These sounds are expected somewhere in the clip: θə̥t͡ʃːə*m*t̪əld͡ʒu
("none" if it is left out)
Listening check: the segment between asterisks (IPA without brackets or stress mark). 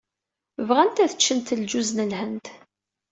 n